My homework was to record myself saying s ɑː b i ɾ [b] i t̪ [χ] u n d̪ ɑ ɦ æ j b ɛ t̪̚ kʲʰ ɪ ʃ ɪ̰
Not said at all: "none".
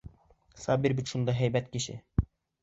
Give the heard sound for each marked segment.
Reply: b, ʃ

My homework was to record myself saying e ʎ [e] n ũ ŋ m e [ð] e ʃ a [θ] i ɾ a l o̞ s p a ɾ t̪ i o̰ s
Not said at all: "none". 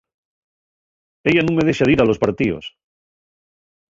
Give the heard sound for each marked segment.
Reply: a, ð, ð

